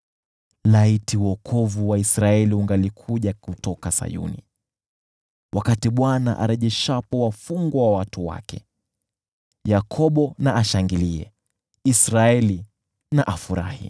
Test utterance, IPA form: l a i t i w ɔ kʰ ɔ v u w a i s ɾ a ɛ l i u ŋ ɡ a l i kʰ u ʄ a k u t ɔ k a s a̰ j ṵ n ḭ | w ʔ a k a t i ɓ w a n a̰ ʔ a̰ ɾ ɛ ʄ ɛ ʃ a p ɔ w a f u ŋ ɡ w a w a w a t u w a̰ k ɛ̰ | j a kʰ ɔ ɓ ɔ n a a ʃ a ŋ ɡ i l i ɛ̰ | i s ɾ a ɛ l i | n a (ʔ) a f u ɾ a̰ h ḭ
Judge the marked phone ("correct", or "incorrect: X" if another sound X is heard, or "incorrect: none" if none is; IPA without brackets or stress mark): correct